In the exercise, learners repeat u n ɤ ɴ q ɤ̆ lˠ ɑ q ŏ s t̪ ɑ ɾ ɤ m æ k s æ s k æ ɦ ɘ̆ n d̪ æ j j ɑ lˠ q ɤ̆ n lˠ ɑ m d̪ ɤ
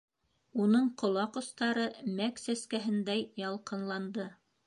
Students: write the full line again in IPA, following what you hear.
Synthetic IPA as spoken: u n ɤ ɴ q ŏ lˠ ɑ q ŏ s t̪ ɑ ɾ ɤ m æ k s æ s k æ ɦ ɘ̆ n d̪ æ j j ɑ lˠ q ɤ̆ n lˠ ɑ n d̪ ɤ